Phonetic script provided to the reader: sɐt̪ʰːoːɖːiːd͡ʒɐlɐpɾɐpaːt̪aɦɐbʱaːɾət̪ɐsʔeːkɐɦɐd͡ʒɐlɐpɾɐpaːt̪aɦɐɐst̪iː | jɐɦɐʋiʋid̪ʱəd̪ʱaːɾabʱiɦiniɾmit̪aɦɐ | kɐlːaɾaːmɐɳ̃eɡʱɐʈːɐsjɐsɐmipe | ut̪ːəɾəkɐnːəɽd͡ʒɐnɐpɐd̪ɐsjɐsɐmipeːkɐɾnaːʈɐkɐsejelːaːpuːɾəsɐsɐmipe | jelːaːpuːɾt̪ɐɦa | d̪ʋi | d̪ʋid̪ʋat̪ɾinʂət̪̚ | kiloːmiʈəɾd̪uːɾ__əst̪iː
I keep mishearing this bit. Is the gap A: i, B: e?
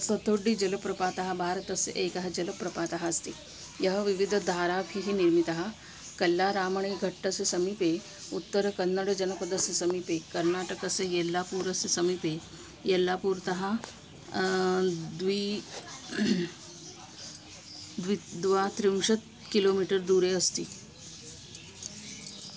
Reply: B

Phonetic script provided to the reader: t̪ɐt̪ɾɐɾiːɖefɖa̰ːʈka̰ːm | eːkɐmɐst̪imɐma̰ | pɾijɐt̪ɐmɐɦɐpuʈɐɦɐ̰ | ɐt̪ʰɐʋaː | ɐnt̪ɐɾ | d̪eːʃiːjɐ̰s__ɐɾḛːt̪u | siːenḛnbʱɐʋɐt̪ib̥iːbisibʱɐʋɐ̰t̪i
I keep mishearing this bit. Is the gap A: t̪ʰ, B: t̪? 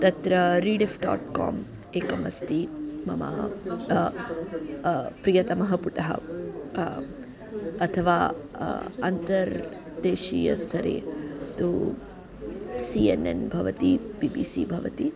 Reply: A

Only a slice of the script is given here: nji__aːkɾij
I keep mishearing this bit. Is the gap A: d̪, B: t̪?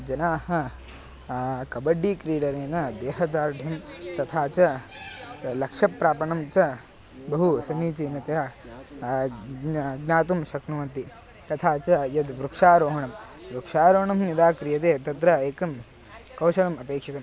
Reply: A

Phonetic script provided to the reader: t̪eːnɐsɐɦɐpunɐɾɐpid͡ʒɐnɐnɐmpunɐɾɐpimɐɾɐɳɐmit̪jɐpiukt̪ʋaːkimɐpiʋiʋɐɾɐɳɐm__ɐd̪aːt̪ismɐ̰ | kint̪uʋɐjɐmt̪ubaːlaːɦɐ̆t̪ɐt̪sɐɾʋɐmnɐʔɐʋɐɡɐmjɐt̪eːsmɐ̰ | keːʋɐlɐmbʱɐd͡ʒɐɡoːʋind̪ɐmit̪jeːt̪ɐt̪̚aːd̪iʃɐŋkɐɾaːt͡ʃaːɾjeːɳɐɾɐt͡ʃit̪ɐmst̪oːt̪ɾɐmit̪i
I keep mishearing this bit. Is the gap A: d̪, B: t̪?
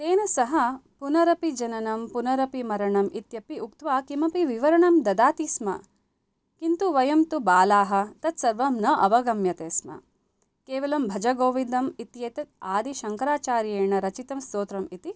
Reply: A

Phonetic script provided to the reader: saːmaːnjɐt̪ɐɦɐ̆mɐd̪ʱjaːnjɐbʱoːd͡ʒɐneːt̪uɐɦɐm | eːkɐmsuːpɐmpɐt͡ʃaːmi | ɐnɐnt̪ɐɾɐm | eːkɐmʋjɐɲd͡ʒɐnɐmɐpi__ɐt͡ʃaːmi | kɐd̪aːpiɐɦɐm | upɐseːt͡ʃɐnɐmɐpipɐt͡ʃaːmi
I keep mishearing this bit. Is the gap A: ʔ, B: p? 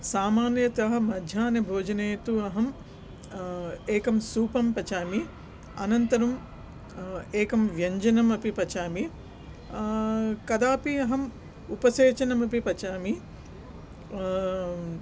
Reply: B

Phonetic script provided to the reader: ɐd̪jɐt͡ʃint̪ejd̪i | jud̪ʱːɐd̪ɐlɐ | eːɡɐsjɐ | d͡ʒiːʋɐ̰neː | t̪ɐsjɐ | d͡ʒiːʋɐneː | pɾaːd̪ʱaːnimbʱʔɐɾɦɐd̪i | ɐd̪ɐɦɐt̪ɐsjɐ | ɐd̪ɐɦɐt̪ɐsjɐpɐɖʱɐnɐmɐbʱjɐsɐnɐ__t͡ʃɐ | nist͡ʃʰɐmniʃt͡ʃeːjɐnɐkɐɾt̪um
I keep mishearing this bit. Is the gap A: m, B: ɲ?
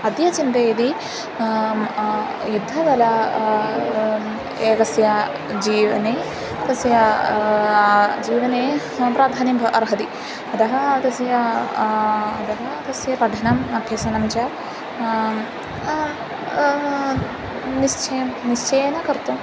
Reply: A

